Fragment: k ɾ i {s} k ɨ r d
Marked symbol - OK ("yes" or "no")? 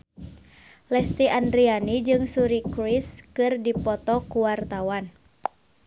yes